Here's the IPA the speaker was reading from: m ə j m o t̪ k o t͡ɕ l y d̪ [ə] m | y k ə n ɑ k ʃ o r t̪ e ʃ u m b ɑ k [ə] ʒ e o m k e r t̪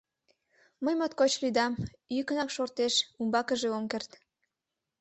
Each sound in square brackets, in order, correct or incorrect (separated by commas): incorrect, correct